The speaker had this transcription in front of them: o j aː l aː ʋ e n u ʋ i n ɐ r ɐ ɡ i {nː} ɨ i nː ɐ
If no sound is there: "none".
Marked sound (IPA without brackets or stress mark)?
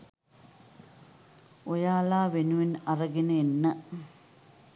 n